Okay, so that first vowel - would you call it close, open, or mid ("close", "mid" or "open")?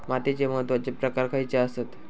open